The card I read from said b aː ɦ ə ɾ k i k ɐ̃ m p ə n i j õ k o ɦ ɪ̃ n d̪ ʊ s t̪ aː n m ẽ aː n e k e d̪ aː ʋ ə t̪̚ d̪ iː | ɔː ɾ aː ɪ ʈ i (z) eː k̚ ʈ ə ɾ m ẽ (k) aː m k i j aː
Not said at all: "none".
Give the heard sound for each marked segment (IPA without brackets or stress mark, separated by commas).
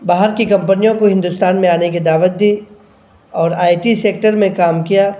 s, k